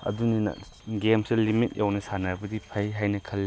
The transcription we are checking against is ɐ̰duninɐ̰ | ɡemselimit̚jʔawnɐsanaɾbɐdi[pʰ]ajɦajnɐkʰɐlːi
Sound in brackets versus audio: correct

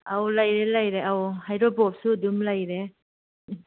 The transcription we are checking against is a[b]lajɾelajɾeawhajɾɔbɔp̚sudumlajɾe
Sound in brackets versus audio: incorrect: w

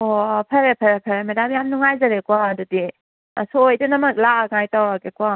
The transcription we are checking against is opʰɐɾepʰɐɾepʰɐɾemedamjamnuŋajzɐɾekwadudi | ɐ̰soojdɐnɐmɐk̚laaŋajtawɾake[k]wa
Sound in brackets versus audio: correct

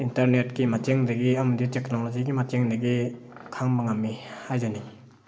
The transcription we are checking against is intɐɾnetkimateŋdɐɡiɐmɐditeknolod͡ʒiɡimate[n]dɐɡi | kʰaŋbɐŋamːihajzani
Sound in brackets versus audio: incorrect: ŋ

